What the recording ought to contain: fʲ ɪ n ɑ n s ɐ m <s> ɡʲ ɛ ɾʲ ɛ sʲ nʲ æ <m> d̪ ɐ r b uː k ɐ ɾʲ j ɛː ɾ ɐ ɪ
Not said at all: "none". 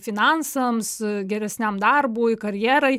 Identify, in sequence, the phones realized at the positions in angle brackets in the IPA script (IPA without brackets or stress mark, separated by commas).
s, m